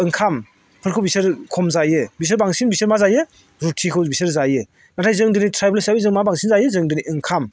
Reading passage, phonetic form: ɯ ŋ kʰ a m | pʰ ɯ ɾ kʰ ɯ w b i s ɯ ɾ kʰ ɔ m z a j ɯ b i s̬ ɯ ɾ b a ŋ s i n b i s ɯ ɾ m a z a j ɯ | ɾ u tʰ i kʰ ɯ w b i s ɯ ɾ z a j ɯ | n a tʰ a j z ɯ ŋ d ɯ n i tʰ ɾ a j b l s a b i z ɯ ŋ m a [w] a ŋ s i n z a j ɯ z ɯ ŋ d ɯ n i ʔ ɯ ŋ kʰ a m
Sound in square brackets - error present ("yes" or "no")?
yes